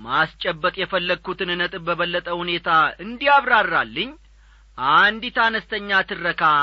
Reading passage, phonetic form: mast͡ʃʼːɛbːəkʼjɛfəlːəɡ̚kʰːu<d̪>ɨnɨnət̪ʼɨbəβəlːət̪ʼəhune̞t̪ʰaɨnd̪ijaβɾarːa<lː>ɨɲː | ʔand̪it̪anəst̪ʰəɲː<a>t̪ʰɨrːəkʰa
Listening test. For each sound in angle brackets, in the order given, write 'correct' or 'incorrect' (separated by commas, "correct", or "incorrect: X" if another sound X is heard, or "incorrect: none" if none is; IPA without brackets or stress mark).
incorrect: t̪, correct, correct